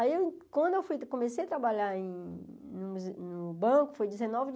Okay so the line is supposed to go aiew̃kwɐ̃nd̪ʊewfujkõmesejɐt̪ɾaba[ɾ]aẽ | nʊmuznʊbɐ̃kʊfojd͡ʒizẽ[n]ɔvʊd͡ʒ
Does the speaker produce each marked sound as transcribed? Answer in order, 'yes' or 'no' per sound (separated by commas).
no, yes